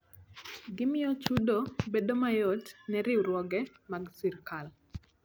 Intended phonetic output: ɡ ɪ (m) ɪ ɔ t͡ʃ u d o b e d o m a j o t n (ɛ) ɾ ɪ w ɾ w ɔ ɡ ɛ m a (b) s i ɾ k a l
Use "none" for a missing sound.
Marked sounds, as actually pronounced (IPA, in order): m, ɛ, ɡ

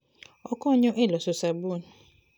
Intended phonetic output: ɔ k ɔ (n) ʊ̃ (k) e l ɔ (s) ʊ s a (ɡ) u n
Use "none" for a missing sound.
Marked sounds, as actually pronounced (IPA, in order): ɲ, ʔ, s, b

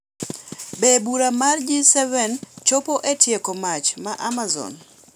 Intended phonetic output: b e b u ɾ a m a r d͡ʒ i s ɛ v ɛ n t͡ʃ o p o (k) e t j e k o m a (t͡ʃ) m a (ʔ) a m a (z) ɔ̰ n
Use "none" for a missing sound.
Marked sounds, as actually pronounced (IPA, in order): ʔ, t͡ʃ, ʔ, z

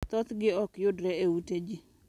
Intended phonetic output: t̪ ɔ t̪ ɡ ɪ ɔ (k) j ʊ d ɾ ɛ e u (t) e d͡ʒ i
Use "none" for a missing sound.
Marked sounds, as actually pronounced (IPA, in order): k, t

